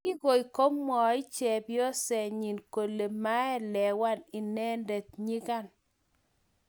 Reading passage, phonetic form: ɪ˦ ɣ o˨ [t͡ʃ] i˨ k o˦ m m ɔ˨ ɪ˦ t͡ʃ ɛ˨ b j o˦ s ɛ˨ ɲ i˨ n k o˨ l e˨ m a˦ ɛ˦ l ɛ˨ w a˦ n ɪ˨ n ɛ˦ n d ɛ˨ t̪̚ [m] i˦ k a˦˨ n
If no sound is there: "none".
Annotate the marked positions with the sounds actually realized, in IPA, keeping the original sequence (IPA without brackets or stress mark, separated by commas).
none, ɲ